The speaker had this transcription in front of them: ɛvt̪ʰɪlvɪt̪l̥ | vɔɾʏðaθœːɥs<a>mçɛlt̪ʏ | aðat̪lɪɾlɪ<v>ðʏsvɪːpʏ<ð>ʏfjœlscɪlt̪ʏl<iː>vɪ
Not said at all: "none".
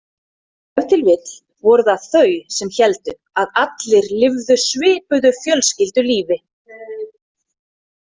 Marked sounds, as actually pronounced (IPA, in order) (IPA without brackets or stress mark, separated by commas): ɛ, v, ð, iː